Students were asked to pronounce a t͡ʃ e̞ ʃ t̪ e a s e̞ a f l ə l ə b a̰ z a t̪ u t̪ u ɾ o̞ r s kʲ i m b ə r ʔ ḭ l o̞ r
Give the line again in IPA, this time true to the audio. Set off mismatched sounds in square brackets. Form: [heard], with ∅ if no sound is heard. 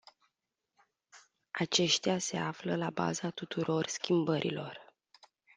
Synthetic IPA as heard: a t͡ʃ e̞ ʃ t̪ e a s e̞ a f l ə l [a] b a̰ z a t̪ u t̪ u ɾ o̞ r s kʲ i m b ə [ɾ] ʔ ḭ l o̞ r